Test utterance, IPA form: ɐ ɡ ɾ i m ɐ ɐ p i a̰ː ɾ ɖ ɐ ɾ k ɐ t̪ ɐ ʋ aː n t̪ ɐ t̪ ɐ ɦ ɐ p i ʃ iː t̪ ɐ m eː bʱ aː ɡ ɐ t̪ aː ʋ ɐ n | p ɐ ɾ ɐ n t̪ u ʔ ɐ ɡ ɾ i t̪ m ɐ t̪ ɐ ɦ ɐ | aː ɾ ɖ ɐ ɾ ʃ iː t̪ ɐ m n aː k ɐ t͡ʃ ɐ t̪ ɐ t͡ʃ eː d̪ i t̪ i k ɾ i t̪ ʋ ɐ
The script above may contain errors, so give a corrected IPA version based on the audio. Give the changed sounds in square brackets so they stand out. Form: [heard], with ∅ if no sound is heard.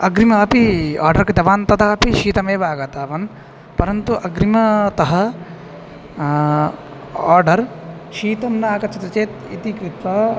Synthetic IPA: ɐ ɡ ɾ i m ɐ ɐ p i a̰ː ɾ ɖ ɐ ɾ k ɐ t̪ ɐ ʋ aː n t̪ ɐ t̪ ɐ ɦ ɐ p i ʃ iː t̪ ɐ m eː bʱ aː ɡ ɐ t̪ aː ʋ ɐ n | p ɐ ɾ ɐ n t̪ u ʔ ɐ ɡ ɾ i [∅] m ɐ t̪ ɐ ɦ ɐ | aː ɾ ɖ ɐ ɾ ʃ iː t̪ ɐ m n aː k ɐ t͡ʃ ɐ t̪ ɐ t͡ʃ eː [t̪] i t̪ i k ɾ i t̪ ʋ ɐ